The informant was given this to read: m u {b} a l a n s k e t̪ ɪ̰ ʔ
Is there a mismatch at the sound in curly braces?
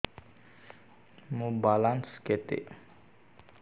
no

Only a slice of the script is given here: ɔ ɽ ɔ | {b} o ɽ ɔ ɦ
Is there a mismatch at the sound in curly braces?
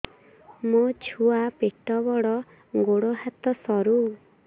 yes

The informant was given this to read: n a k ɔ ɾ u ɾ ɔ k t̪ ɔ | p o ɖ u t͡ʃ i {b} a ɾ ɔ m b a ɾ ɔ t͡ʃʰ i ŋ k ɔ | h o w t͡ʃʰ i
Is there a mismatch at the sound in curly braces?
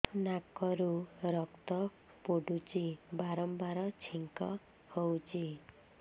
no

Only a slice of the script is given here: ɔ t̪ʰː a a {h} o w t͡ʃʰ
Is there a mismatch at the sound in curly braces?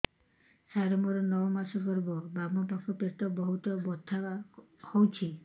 no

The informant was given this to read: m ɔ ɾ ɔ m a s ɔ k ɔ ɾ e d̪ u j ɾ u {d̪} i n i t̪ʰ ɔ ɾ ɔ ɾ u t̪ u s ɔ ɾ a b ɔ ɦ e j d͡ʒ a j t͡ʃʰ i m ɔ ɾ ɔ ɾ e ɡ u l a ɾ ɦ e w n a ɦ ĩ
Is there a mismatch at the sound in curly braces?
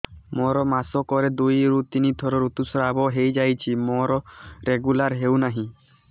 yes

